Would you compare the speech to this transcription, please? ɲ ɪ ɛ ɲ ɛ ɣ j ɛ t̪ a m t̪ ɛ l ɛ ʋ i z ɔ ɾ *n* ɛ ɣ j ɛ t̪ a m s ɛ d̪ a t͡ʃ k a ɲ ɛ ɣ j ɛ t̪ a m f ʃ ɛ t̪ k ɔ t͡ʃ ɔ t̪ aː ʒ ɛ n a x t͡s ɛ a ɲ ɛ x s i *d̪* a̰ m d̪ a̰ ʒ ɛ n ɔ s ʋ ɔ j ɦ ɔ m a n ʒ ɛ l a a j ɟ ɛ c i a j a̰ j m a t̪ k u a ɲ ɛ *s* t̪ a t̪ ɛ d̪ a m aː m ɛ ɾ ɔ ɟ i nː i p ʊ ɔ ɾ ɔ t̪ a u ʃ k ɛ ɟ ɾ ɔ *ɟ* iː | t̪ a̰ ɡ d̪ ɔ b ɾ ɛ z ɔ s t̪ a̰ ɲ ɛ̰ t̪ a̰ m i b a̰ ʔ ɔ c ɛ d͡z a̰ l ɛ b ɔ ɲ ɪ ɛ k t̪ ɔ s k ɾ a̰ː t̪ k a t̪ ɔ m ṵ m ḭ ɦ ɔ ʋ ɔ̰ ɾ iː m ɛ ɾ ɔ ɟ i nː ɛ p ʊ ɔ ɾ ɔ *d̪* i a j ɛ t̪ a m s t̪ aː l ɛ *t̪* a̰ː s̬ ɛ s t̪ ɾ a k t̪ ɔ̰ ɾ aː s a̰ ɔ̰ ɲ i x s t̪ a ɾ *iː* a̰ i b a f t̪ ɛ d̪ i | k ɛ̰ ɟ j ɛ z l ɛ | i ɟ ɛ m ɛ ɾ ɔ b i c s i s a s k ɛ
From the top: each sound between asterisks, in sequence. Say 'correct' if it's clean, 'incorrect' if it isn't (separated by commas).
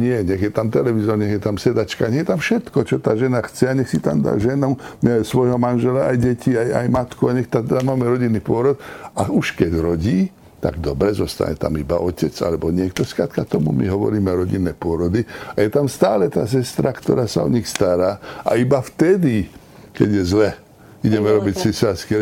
incorrect, incorrect, incorrect, correct, correct, correct, incorrect